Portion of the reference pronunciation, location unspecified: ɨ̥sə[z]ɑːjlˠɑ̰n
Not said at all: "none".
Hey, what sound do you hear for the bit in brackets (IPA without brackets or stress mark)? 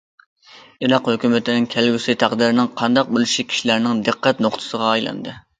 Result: ʁ